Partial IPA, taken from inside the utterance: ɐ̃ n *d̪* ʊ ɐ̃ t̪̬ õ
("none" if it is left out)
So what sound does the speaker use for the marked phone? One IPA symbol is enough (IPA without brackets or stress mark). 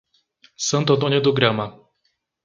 t̪